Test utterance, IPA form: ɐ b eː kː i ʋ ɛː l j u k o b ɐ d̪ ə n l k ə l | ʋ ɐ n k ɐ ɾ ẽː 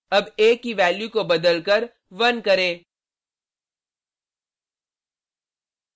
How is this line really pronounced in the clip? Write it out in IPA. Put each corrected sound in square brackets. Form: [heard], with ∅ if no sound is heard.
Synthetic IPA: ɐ b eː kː i ʋ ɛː l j u k o b ɐ d̪ ə [∅] l k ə [ɾ] | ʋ ɐ n k ɐ ɾ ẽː